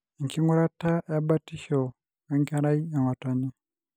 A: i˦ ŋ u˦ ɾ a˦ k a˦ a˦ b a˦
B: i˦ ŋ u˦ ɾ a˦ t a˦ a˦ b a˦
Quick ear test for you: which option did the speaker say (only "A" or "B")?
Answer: B